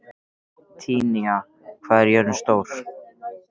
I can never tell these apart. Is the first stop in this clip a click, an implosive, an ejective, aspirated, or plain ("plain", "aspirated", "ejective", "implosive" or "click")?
aspirated